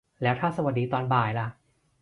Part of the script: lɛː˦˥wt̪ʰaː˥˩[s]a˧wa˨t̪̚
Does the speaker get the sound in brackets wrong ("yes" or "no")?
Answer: no